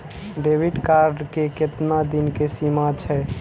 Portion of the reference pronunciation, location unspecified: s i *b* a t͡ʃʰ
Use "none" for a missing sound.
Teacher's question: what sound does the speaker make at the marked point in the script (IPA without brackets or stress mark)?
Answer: m